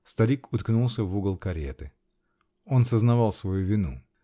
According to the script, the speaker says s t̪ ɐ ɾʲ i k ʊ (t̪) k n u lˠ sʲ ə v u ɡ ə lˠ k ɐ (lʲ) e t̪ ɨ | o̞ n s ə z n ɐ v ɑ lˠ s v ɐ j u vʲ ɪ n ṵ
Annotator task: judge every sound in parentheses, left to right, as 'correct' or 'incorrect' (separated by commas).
correct, incorrect